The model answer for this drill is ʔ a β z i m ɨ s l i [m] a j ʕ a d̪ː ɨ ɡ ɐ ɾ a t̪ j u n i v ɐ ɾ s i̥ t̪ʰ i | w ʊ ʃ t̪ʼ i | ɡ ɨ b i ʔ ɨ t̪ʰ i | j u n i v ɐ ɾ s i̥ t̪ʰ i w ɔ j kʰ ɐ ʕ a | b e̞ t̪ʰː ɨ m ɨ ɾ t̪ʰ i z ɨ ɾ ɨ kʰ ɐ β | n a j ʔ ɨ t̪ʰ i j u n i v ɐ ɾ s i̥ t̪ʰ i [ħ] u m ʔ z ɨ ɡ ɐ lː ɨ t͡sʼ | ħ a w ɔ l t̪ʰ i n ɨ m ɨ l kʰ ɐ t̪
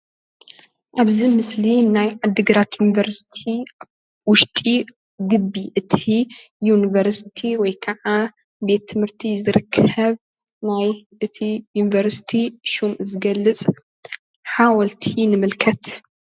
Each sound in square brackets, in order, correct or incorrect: incorrect: n, incorrect: ʃ

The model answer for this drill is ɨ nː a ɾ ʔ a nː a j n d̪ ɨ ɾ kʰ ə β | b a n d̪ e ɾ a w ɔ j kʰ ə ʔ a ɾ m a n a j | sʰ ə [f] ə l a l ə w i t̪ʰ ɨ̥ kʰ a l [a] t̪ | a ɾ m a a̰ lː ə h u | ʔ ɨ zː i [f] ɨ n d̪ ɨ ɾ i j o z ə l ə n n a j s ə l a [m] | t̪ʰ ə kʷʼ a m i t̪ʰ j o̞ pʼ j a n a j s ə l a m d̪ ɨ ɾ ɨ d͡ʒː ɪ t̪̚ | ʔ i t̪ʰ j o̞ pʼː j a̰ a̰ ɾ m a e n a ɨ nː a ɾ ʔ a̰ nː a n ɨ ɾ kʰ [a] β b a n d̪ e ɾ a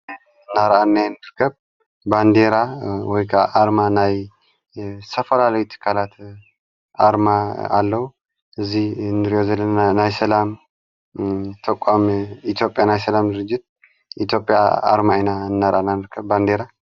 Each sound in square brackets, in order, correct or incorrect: correct, correct, incorrect: h, correct, incorrect: ə

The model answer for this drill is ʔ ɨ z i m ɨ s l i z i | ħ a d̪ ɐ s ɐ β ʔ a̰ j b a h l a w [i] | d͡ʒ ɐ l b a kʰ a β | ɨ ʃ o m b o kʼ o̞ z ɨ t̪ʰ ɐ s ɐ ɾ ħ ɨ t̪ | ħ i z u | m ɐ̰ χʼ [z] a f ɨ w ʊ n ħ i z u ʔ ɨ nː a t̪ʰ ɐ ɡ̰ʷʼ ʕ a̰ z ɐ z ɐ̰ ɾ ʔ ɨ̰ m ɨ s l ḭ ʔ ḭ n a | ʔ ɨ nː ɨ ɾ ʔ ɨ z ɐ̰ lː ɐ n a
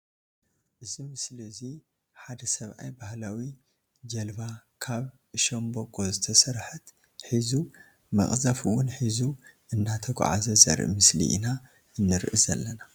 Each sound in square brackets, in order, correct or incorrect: correct, correct

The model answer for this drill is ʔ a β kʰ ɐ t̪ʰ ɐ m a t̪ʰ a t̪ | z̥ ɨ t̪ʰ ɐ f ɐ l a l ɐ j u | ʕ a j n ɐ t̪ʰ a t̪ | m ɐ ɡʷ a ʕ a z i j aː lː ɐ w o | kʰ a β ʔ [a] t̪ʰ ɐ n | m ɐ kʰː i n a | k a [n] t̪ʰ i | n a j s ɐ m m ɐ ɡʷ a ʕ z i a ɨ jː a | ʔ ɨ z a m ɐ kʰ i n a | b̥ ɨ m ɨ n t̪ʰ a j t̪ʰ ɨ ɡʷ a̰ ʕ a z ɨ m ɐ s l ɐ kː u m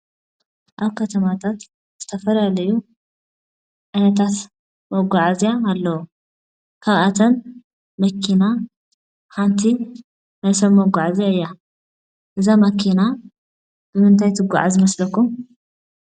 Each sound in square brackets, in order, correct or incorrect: correct, correct

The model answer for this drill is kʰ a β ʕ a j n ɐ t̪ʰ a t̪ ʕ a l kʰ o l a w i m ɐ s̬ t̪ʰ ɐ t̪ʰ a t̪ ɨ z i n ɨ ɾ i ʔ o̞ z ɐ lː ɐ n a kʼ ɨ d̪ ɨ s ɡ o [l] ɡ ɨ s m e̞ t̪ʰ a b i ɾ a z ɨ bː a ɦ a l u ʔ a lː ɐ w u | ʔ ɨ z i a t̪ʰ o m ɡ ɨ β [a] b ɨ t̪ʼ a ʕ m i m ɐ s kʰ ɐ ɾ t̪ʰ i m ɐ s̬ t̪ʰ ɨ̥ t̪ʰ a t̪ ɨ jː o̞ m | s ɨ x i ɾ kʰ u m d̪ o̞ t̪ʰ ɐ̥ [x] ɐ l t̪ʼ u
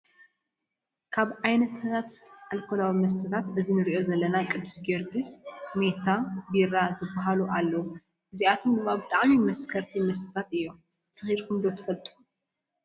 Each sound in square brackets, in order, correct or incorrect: incorrect: ɾ, correct, incorrect: f

